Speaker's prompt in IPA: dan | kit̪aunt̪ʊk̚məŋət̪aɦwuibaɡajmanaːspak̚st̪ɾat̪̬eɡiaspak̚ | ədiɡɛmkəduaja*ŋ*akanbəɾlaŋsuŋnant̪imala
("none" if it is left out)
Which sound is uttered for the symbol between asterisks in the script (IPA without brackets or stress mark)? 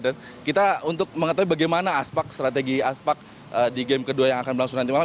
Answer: ŋ